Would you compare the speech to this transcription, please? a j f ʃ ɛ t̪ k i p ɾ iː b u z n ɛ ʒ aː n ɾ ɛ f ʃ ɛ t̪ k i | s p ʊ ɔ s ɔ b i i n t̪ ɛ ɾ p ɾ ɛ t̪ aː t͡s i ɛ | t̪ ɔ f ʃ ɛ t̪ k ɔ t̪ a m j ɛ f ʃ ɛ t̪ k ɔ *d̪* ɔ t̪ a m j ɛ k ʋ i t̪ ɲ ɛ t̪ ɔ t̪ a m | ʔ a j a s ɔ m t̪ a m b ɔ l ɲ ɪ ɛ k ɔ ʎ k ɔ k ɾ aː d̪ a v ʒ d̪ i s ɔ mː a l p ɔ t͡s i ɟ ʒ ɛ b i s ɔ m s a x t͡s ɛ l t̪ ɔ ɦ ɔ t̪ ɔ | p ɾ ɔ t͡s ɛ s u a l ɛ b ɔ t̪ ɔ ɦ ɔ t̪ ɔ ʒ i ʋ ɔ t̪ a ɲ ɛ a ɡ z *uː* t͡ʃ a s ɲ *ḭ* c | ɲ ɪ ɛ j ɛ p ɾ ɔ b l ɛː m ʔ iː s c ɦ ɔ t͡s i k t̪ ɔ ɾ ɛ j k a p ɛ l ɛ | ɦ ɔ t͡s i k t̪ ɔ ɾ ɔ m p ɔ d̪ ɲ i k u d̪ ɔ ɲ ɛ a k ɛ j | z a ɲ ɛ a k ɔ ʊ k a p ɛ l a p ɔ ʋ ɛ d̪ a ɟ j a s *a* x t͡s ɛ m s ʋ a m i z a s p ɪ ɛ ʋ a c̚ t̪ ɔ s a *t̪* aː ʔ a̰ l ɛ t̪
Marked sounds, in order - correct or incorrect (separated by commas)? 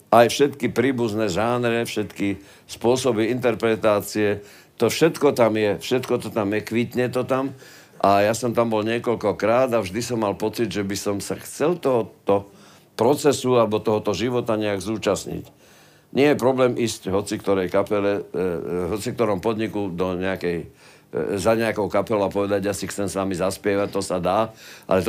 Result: incorrect, correct, correct, incorrect, incorrect